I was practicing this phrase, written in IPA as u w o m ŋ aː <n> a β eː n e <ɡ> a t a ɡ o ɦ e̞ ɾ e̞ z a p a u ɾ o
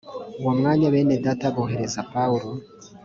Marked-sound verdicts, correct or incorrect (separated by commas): incorrect, incorrect